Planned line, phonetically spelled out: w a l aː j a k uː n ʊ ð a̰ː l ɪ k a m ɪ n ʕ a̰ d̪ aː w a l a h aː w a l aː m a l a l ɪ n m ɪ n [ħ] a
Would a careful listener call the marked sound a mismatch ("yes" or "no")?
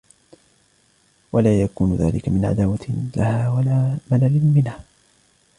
yes